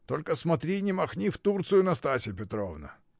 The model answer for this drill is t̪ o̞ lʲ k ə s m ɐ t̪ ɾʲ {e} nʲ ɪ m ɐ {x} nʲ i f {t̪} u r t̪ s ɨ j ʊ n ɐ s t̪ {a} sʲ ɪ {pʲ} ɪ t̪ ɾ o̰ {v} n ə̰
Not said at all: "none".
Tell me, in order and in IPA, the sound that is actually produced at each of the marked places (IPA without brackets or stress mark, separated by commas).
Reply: i, x, t̪, a, pʲ, v